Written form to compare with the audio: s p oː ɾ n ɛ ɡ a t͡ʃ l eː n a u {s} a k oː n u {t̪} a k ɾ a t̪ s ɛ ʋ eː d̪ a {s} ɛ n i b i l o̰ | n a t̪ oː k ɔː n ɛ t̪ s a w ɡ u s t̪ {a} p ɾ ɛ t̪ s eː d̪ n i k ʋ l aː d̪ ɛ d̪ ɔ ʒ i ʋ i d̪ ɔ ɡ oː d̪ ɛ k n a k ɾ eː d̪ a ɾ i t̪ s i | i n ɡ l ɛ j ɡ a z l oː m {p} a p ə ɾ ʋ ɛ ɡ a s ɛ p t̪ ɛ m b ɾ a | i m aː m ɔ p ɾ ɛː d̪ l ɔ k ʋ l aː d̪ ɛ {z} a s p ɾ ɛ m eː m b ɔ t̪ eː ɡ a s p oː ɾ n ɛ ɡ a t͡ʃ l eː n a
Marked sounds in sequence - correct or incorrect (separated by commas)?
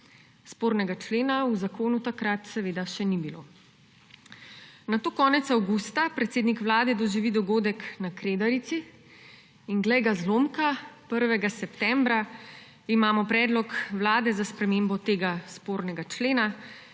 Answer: incorrect, correct, incorrect, correct, incorrect, correct